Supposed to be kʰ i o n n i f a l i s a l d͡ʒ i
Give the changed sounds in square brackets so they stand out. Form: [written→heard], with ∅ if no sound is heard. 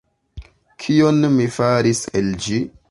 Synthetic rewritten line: kʰ i o n [n→m] i f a [l→ɾ] i s [a→e] l d͡ʒ i